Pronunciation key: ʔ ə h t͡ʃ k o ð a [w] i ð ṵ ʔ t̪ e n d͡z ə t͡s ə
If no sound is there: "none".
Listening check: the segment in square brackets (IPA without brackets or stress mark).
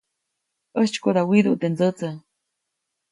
w